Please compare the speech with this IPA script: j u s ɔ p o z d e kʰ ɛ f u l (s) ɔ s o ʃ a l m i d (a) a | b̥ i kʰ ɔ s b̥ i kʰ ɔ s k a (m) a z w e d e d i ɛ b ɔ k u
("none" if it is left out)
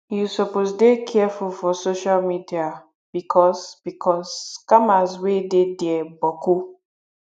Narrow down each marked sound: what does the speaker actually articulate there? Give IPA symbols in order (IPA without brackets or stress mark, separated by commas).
f, i, m